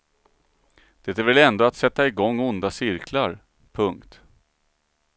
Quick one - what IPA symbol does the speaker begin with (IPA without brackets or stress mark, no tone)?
d̪̥